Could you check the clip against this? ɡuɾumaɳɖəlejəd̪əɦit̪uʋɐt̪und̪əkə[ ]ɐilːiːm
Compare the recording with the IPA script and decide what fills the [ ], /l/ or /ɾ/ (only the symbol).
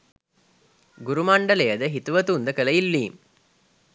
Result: l